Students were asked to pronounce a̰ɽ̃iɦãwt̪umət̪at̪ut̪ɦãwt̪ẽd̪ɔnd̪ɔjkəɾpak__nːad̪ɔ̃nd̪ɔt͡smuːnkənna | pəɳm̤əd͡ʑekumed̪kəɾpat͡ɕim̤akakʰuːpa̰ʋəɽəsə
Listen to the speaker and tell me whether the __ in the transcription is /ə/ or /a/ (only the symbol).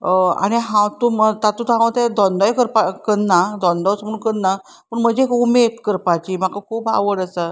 ə